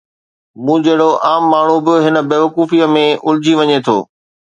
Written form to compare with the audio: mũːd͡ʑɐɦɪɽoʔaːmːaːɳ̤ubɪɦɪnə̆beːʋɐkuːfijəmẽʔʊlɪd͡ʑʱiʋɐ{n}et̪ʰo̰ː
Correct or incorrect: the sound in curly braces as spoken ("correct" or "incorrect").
incorrect